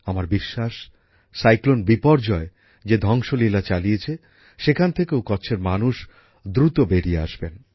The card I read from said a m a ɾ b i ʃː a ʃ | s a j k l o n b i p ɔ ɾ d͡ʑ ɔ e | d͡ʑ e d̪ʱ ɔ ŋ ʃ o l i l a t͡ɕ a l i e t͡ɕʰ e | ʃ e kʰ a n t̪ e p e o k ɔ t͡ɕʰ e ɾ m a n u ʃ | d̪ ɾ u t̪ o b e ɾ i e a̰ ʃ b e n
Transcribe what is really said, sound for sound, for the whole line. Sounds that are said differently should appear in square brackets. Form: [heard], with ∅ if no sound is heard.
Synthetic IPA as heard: a m a ɾ b i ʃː a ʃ | s a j k l o n b i p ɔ ɾ d͡ʑ ɔ e | d͡ʑ e d̪ʱ ɔ ŋ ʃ o l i l a t͡ɕ a l i e t͡ɕʰ e | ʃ e kʰ a n [t̪ʰ] e [k] e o k ɔ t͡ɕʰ e ɾ m a n u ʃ | d̪ ɾ u t̪ o b e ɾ i e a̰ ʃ b e n

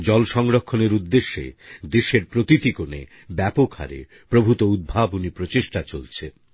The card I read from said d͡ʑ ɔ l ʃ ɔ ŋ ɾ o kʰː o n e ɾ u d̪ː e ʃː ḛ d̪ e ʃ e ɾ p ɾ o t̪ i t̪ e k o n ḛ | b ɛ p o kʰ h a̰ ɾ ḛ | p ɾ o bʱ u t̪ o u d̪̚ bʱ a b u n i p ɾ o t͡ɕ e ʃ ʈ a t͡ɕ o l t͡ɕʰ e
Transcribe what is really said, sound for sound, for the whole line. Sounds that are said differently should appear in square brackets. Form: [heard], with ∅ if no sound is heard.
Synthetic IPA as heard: d͡ʑ ɔ l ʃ ɔ ŋ ɾ o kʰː o n e ɾ u d̪ː e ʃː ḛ d̪ e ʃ e ɾ p ɾ o t̪ i t̪ [i] k o n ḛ | b ɛ p o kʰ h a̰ ɾ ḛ | p ɾ o bʱ u t̪ o u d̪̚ bʱ a b u n i p ɾ o t͡ɕ e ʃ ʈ a t͡ɕ o l t͡ɕʰ e

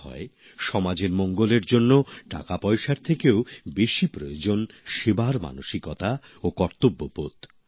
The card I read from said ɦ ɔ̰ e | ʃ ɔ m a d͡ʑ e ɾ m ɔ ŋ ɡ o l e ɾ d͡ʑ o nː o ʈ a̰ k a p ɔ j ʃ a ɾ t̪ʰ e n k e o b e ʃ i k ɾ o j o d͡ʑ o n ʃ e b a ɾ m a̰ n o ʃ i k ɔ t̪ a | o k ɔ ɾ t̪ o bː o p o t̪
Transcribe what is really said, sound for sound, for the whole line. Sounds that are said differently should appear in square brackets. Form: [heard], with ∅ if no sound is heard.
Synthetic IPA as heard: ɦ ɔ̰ e | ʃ ɔ m a d͡ʑ e ɾ m ɔ ŋ ɡ o l e ɾ d͡ʑ o nː o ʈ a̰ k a p ɔ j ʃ a ɾ t̪ʰ e [∅] k e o b e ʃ i [p] ɾ o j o d͡ʑ o n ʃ e b a ɾ m a̰ n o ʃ i k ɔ t̪ a | o k ɔ ɾ t̪ o bː o p o t̪

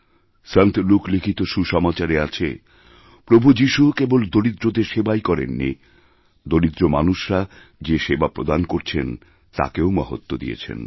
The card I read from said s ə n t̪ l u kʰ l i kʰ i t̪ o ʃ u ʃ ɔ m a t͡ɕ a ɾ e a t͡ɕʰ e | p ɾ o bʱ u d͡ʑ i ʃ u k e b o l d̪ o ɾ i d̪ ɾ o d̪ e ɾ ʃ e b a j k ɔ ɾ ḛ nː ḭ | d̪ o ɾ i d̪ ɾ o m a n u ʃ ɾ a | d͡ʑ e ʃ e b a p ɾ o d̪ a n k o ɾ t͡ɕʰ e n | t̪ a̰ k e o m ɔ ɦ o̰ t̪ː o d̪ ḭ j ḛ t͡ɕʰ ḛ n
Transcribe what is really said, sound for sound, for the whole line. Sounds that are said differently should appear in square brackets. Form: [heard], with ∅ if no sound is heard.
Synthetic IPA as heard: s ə n t̪ l u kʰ l i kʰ i t̪ o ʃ u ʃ ɔ m a t͡ɕ a ɾ e a t͡ɕʰ e | p ɾ o bʱ u d͡ʑ i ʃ u k e b o l d̪ o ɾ i d̪ ɾ o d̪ e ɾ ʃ e b a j k ɔ ɾ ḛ nː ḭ | d̪ o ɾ i d̪ ɾ o m a n u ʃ ɾ a | d͡ʑ e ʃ e b a p ɾ o d̪ a n k o ɾ t͡ɕʰ e n | t̪ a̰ k e o m ɔ ɦ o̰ t̪ː o d̪ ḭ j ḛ t͡ɕʰ ḛ n

